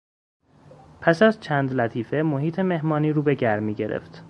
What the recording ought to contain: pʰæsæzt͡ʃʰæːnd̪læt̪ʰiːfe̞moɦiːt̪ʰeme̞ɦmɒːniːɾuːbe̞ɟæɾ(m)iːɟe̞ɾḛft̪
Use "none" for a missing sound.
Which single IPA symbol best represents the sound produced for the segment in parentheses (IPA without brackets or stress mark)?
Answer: m